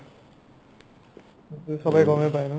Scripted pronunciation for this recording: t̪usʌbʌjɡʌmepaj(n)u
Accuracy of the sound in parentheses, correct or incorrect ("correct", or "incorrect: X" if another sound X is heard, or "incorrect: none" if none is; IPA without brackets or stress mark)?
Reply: correct